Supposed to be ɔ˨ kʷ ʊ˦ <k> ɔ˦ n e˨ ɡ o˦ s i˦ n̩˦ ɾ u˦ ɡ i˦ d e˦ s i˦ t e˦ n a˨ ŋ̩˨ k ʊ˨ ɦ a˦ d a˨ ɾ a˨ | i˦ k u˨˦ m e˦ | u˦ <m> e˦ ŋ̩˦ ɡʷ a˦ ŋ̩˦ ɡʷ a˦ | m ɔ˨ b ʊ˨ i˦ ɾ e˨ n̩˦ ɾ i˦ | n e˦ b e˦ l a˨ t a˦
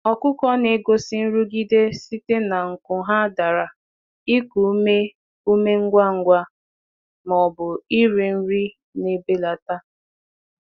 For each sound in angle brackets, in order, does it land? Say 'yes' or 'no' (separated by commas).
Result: yes, yes